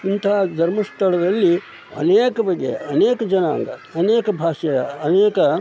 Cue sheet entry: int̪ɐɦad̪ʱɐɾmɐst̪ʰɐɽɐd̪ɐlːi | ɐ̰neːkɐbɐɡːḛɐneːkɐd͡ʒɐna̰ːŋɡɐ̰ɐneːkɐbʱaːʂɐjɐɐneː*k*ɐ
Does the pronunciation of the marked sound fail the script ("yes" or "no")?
no